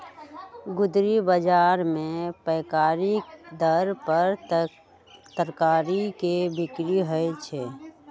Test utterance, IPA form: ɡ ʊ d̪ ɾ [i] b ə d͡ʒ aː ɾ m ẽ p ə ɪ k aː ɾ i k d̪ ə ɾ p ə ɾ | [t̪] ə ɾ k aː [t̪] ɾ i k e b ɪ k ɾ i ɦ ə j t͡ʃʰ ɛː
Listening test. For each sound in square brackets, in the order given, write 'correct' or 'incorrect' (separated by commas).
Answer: correct, correct, incorrect